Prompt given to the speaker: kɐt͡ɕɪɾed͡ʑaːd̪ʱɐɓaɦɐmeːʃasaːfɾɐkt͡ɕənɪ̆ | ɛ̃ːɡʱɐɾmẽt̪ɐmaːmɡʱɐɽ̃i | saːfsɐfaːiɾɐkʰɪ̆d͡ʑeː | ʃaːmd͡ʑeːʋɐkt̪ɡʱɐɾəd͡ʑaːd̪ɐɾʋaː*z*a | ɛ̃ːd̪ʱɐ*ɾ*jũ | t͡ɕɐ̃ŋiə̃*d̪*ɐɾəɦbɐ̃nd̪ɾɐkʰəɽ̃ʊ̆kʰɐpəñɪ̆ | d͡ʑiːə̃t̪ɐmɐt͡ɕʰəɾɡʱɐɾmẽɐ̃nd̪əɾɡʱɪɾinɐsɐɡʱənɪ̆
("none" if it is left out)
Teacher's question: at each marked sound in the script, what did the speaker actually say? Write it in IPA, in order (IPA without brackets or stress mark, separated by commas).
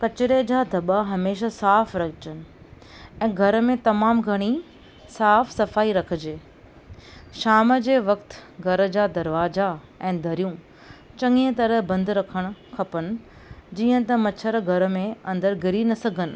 z, ɾ, t̪